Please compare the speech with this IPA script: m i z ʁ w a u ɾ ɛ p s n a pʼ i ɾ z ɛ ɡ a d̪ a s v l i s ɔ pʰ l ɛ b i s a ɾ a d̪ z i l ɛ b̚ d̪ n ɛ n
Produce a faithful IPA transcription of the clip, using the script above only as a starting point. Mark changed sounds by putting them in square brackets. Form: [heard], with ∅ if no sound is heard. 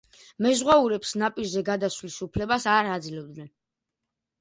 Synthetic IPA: m [ɛ] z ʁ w a u ɾ ɛ p s n a pʼ i ɾ z ɛ ɡ a d̪ a s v l i s [u] pʰ l ɛ b [a] s a ɾ a d̪ z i l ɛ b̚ d̪ n ɛ n

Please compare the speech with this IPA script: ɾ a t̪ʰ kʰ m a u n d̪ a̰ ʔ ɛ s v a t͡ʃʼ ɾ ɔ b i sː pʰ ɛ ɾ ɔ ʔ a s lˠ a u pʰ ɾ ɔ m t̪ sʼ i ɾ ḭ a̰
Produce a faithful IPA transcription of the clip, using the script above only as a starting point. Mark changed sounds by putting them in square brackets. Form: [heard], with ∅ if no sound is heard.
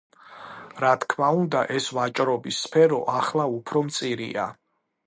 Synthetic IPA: ɾ a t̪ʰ kʰ m a u n d̪ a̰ ʔ ɛ s v a t͡ʃʼ ɾ ɔ b i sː pʰ ɛ ɾ ɔ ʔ a [χ] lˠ a u pʰ ɾ ɔ m t̪ sʼ i ɾ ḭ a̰

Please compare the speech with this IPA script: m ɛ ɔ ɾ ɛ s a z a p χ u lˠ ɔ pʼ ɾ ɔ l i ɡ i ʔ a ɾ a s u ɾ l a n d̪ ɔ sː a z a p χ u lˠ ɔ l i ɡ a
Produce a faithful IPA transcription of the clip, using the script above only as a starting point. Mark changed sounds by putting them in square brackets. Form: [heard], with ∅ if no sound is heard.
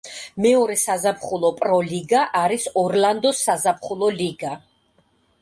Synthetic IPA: m ɛ ɔ ɾ ɛ s a z a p χ u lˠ ɔ pʼ ɾ ɔ l i ɡ [a] ʔ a ɾ [i] s [ɔ] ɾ l a n d̪ ɔ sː a z a p χ u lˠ ɔ l i ɡ a

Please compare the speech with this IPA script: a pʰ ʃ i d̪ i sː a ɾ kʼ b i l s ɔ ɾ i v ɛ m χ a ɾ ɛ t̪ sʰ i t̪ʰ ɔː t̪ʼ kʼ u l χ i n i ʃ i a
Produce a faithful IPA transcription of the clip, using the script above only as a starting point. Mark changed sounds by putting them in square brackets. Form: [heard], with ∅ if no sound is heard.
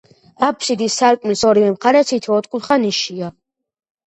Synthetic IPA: a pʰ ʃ i d̪ i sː a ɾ kʼ [m] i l s ɔ ɾ i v ɛ m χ a ɾ ɛ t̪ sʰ i t̪ʰ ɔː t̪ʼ kʼ u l χ [a] n i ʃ i a

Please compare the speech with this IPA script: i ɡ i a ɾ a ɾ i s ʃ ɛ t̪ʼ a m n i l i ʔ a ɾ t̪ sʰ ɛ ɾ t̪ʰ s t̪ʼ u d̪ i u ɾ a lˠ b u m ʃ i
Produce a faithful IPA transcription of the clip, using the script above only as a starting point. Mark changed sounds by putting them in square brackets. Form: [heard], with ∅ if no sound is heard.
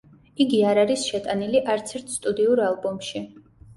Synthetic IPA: i ɡ i a ɾ a ɾ i s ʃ ɛ t̪ʼ a [∅] n i l i ʔ a ɾ t̪ sʰ ɛ ɾ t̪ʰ s t̪ʼ u d̪ i u ɾ a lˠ b [ɔ] m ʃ i

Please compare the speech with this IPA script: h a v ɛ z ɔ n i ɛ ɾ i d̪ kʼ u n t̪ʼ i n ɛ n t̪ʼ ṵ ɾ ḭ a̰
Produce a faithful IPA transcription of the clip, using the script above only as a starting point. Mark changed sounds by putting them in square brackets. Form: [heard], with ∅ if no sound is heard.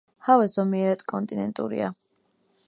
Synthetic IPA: h a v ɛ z ɔ [m] i ɛ ɾ [a] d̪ kʼ [ɔ] n t̪ʼ i n ɛ n t̪ʼ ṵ ɾ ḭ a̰

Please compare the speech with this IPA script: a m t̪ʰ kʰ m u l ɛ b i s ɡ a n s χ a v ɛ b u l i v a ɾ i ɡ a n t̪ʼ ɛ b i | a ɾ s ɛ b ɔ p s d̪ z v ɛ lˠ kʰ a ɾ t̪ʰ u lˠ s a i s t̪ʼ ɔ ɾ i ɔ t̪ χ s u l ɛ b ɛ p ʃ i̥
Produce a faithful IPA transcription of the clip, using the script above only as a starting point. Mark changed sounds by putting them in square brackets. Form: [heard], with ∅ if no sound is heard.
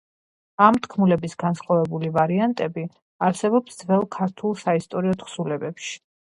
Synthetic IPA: a m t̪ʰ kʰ m u l ɛ b i s ɡ a n s χ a v ɛ b u l i v a ɾ i [∅] a n t̪ʼ ɛ b i | a ɾ s ɛ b ɔ p s d̪ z v ɛ lˠ kʰ a ɾ t̪ʰ u lˠ s a i s t̪ʼ ɔ ɾ i ɔ t̪ χ s u l ɛ b ɛ p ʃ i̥

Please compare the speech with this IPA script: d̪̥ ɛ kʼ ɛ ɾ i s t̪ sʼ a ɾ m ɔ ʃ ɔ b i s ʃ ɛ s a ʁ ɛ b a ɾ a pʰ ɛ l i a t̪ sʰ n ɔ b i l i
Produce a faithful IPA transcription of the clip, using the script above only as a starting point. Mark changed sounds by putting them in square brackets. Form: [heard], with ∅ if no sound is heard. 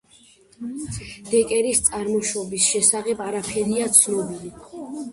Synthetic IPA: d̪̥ ɛ kʼ ɛ ɾ i s t̪ sʼ a ɾ m ɔ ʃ ɔ b i s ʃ ɛ s a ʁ ɛ b a ɾ a pʰ ɛ [ɾ] i a t̪ sʰ n ɔ b i l i

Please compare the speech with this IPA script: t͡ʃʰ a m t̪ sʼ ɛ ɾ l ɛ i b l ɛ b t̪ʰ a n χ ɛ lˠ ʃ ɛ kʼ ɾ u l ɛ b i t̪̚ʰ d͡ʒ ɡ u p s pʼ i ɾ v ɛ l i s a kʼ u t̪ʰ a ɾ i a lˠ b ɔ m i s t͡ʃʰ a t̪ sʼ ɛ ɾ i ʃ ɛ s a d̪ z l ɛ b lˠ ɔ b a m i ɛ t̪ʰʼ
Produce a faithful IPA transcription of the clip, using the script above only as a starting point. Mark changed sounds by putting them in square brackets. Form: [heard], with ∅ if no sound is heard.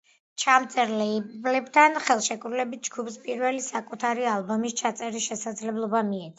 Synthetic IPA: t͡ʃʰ a m t̪ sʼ ɛ ɾ l ɛ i b l ɛ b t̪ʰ a n χ ɛ lˠ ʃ ɛ kʼ ɾ u l ɛ b i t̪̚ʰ d͡ʒ ɡ u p s pʼ i ɾ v ɛ l i s a kʼ u t̪ʰ a ɾ i a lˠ b ɔ m i s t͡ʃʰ a t̪ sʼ ɛ ɾ i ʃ ɛ s a d̪ z l ɛ b lˠ ɔ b a m i ɛ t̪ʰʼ

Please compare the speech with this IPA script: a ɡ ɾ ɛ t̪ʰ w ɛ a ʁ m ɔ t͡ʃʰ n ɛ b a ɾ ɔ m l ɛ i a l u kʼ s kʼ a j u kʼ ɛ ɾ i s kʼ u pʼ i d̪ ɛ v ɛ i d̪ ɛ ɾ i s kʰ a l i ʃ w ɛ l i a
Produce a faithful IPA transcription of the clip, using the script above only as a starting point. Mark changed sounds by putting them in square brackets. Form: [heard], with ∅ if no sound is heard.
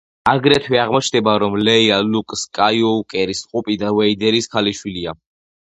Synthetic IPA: a ɡ ɾ ɛ t̪ʰ w ɛ a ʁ m ɔ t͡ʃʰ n ɛ b a ɾ ɔ m l ɛ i a l u kʼ s kʼ a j [ɔ] kʼ ɛ ɾ i s [qʼ] u pʼ i d̪ [a] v ɛ i d̪ ɛ ɾ i s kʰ a l i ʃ w [i] l i a

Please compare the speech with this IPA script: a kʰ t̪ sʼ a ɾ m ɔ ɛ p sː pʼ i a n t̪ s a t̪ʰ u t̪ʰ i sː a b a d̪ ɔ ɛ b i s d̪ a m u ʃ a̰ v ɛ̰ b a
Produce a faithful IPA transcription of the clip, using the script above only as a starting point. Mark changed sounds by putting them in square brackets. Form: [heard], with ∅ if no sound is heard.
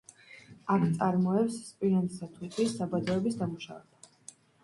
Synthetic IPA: a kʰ t̪ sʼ a ɾ m ɔ ɛ p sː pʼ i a n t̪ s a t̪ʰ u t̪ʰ i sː a b a d̪ ɔ ɛ b i s d̪ a m u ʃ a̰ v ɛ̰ b a

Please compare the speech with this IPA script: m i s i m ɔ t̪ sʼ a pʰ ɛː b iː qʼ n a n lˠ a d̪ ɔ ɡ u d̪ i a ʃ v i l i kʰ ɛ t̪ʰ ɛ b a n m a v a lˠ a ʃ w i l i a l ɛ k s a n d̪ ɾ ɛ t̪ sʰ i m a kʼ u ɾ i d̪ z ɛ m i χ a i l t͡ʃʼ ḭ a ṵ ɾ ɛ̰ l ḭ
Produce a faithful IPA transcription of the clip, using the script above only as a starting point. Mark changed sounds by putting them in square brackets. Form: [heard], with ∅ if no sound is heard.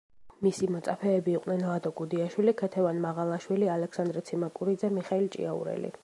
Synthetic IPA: m i s i m ɔ t̪ sʼ a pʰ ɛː b iː qʼ n [ɛ] n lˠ a d̪ ɔ ɡ u d̪ i a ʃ [w] i l i kʰ ɛ t̪ʰ ɛ [v] a n m a [ʁ] a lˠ a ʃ w i l i a l ɛ k s a n d̪ ɾ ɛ t̪ sʰ i m a kʼ u ɾ i d̪ z ɛ m i χ a i l t͡ʃʼ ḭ a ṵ ɾ ɛ̰ l ḭ

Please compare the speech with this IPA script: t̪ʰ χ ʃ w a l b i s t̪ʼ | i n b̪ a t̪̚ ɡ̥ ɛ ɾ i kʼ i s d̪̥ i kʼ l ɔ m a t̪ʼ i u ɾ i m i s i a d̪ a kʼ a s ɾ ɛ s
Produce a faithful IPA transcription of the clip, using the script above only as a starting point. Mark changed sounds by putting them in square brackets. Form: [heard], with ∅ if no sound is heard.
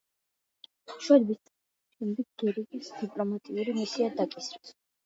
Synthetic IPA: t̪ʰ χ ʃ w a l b i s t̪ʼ | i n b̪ [i] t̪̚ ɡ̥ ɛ ɾ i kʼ i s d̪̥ i [pʼ] l ɔ m a t̪ʼ i u ɾ i m i s i a d̪ a kʼ [i] s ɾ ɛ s

